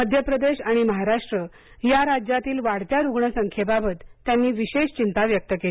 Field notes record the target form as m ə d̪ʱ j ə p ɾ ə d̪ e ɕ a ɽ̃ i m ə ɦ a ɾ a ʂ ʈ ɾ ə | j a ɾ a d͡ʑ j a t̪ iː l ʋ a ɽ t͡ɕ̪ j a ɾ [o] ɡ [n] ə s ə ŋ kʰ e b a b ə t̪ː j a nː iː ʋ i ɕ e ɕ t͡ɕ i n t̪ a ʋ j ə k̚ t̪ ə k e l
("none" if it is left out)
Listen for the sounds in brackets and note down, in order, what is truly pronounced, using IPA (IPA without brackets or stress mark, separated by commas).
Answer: u, ɳ